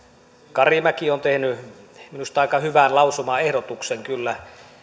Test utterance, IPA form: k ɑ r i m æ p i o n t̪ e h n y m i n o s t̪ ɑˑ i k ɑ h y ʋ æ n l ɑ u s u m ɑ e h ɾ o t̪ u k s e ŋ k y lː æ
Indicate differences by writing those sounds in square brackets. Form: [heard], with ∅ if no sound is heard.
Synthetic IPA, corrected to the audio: k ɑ r i m æ [k] i o n t̪ e h n y m i n [u] s t̪ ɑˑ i k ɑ h y ʋ æ n l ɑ u s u m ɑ e h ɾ o t̪ u k s e ŋ k y lː æ